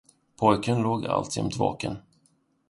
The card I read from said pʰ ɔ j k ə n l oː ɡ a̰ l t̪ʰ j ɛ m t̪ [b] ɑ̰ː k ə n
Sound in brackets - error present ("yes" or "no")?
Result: yes